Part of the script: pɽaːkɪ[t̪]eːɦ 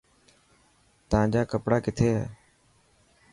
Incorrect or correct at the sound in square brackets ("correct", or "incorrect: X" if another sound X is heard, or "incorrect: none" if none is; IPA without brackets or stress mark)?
incorrect: t̪ʰ